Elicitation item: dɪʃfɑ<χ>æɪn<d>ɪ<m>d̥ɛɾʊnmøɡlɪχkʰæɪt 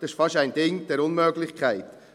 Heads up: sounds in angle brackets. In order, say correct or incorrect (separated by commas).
incorrect, correct, incorrect